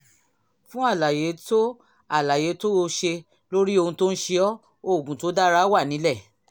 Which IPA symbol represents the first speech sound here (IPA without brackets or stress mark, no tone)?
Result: f